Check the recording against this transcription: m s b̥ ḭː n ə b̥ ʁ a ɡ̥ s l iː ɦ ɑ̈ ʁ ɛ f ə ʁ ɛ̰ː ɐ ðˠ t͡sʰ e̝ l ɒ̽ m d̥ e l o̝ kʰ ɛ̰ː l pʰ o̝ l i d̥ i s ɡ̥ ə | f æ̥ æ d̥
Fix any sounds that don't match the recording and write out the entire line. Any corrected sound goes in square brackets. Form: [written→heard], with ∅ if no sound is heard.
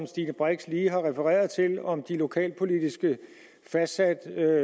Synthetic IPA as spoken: m s [b̥→d̥] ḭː n ə b̥ ʁ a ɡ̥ s l iː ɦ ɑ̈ ʁ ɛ f ə ʁ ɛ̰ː ɐ ðˠ t͡sʰ e̝ l ɒ̽ m d̥ [e→i] l o̝ kʰ ɛ̰ː l pʰ o̝ l i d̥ i s ɡ̥ ə | f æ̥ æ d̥